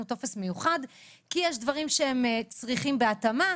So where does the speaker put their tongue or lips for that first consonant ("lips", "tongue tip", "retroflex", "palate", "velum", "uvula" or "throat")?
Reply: tongue tip